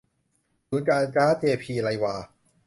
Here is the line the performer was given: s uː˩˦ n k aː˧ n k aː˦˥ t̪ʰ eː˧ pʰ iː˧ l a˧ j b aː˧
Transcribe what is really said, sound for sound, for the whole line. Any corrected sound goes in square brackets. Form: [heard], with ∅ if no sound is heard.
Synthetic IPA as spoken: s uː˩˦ n k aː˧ n k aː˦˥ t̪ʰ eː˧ pʰ iː˧ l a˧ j [w] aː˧